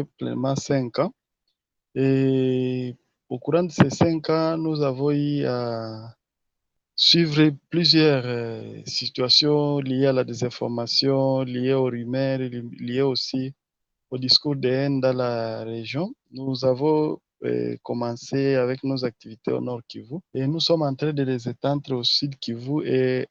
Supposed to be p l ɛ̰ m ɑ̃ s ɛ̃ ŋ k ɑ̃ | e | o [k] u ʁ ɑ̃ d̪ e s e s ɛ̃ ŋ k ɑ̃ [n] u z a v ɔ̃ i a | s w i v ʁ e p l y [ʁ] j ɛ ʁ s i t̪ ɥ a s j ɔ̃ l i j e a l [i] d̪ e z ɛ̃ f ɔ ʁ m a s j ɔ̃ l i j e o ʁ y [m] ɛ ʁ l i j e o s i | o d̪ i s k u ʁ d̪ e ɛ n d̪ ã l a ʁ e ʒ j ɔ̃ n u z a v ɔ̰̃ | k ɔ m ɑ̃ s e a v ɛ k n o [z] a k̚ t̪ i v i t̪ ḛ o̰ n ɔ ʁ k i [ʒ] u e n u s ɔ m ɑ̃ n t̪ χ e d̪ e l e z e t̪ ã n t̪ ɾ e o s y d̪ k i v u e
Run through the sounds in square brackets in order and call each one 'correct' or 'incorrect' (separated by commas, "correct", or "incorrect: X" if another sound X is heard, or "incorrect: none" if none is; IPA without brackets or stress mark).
correct, correct, incorrect: z, incorrect: a, correct, correct, incorrect: v